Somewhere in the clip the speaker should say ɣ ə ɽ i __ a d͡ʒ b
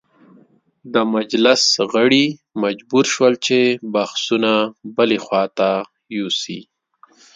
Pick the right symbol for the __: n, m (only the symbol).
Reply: m